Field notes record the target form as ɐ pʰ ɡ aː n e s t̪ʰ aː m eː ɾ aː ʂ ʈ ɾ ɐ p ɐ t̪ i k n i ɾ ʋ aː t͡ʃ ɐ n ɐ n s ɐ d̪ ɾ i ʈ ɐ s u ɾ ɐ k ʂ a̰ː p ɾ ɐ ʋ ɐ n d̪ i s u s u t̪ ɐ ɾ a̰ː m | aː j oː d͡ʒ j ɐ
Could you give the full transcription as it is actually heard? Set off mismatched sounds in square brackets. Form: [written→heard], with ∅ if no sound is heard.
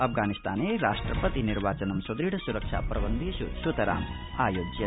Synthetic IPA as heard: ɐ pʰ ɡ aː n [e→i] s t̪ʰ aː [m→n] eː ɾ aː ʂ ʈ ɾ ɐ p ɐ t̪ i [k→∅] n i ɾ ʋ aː t͡ʃ ɐ n ɐ [n→m] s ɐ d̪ ɾ i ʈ ɐ s u ɾ ɐ k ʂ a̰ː p ɾ ɐ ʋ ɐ n d̪ i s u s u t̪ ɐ ɾ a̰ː m | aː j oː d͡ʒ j ɐ